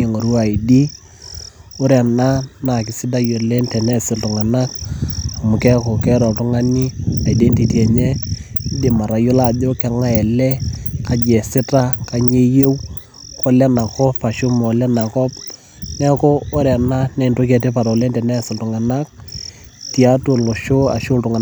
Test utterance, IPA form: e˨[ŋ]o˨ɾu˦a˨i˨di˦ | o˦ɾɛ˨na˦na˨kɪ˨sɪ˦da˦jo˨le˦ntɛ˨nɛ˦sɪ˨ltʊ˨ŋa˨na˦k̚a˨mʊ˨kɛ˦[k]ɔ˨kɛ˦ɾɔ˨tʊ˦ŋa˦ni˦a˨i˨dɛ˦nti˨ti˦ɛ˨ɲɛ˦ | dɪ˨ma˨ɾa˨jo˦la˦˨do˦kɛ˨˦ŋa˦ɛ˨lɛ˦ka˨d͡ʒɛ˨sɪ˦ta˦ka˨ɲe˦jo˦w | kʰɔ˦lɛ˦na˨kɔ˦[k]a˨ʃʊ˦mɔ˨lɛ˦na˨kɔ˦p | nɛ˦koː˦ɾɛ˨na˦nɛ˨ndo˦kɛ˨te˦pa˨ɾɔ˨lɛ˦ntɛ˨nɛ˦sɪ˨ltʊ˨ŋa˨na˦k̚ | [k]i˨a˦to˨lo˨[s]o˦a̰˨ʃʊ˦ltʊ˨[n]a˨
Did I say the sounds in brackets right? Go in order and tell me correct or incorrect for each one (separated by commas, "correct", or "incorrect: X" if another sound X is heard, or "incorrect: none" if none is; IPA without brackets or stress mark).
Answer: correct, correct, incorrect: p, incorrect: t, incorrect: ʃ, incorrect: ŋ